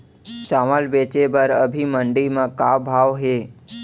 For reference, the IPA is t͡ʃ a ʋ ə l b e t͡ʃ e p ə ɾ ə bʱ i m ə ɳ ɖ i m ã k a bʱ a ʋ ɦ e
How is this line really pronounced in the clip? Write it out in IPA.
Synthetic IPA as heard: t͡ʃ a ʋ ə l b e t͡ʃ e b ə ɾ ə bʱ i m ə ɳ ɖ i m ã k a bʱ a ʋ ɦ e